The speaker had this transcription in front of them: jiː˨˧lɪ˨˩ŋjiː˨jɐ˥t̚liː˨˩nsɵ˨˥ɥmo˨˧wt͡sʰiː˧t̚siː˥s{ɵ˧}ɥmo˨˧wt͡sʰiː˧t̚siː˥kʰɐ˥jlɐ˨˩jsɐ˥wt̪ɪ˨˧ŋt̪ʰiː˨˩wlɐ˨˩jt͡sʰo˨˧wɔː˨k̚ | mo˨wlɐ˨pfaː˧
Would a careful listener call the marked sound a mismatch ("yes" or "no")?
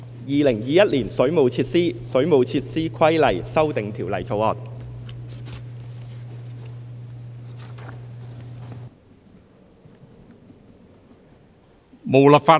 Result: yes